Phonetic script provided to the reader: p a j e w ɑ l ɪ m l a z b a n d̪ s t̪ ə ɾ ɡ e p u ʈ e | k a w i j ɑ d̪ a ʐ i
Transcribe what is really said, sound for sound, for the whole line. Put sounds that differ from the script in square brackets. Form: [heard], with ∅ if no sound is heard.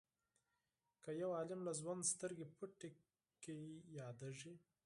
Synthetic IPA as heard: [k] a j [a] w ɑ l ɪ m l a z [w] a n d̪ s t̪ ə ɾ ɡ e p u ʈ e | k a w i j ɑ d̪ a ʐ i